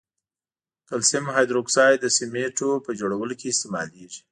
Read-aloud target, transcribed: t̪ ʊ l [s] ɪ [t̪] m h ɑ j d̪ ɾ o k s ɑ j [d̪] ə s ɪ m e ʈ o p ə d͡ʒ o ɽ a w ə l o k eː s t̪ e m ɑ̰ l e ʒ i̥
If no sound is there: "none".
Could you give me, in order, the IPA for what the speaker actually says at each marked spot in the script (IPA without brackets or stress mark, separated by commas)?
s, none, d̪